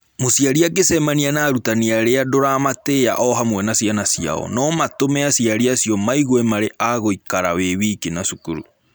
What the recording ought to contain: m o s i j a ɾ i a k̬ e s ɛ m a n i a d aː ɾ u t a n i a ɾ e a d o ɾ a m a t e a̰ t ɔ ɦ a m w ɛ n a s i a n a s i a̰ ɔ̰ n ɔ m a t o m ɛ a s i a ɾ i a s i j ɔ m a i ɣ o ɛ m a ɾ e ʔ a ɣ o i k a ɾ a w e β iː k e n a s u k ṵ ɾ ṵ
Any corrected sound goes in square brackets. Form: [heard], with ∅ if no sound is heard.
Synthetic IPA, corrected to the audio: m o s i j a ɾ i a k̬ e s ɛ m a n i a [n] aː ɾ u t a n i a ɾ e a d o ɾ a m a t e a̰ [ʔ] ɔ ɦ a m w ɛ n a s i a n a s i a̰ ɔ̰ n ɔ m a t o m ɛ a s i a ɾ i a s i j ɔ m a i ɣ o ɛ m a ɾ e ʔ a ɣ o i k a ɾ a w e β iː k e n a s u k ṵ ɾ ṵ